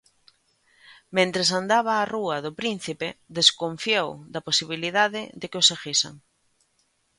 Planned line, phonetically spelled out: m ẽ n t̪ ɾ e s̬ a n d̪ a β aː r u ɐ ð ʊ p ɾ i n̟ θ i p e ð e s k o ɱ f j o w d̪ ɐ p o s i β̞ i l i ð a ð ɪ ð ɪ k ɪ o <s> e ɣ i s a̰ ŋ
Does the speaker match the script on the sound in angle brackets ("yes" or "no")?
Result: yes